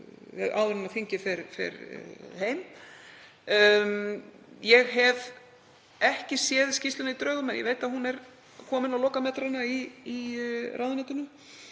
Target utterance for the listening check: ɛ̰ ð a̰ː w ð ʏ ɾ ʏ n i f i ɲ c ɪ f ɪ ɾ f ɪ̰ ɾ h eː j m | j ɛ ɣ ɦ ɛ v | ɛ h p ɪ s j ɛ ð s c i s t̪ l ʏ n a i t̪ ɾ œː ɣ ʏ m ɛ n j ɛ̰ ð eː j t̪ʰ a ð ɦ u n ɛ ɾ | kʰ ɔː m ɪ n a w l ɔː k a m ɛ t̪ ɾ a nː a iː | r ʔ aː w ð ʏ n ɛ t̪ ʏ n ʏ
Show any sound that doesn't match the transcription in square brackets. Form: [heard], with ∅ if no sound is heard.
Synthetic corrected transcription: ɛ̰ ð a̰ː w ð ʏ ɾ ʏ n [a] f i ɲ c ɪ f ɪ ɾ f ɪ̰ ɾ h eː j m | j ɛ ɣ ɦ ɛ v | ɛ h [c] ɪ s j ɛ ð s c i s t̪ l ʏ n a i t̪ ɾ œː ɣ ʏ m ɛ n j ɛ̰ [v] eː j [t̪] a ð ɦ u n ɛ ɾ | kʰ ɔː m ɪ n a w l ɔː k a m ɛ t̪ ɾ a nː a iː | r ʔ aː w ð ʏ n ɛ t̪ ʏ n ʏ